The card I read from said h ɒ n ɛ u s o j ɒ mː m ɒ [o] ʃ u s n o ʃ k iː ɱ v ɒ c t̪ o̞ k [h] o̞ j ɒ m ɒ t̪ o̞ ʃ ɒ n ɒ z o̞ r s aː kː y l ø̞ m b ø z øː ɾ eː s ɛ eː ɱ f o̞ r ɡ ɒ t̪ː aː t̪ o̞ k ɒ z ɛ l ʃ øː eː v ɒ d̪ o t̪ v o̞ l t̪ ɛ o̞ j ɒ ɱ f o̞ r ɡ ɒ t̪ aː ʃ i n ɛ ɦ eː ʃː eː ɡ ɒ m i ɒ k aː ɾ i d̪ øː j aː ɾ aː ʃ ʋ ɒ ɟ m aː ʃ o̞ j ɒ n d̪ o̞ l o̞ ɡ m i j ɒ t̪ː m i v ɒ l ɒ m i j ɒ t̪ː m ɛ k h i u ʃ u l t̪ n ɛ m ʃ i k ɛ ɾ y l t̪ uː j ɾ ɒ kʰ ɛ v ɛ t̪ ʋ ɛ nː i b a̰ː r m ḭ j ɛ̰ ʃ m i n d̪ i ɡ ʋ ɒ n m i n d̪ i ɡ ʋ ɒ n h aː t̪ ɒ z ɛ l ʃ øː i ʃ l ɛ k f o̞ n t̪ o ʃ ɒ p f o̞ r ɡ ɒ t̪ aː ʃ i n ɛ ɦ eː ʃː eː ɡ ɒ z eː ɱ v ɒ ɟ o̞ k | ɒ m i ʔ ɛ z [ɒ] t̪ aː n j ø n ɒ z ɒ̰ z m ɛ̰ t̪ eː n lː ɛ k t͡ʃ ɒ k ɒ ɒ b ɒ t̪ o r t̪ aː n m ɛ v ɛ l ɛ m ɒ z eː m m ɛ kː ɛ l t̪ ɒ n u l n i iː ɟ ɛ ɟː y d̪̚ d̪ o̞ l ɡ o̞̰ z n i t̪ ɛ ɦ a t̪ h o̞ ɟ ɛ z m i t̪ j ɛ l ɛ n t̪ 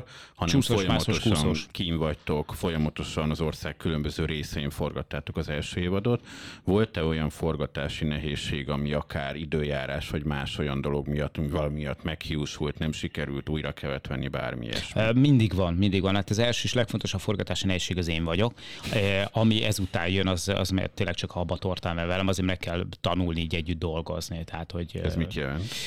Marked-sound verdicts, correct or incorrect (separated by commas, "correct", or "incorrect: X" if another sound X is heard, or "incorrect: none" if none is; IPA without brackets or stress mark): correct, incorrect: f, incorrect: u